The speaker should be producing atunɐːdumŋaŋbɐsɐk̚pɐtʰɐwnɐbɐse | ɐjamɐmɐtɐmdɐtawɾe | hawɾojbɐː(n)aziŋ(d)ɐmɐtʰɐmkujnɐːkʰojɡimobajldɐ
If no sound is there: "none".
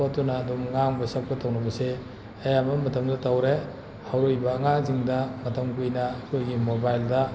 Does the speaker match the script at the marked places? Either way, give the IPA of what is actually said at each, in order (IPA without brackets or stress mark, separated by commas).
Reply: ŋ, d